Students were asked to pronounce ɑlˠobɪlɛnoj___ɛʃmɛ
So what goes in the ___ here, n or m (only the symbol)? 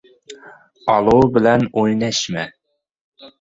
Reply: n